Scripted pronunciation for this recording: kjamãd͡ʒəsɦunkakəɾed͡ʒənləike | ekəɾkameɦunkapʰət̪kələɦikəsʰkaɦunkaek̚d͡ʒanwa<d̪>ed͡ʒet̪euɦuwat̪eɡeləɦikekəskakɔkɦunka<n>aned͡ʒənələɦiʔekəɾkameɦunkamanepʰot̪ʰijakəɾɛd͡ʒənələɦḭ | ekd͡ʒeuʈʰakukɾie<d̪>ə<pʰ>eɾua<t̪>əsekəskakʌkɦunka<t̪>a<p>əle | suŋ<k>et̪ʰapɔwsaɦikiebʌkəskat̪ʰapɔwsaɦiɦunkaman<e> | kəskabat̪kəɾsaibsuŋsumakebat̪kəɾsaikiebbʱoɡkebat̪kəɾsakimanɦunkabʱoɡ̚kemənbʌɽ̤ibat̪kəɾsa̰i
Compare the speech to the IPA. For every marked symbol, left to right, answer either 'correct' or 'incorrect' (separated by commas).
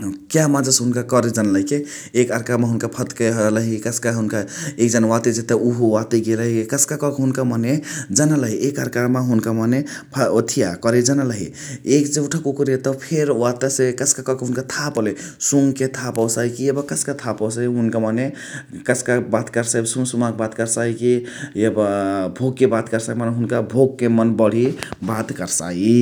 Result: incorrect, incorrect, incorrect, correct, correct, incorrect, correct, correct, correct